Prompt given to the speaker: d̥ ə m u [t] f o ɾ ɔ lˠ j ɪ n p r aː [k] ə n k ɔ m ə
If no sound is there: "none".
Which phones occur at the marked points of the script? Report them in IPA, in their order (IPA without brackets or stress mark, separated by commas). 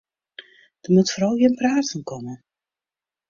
t, t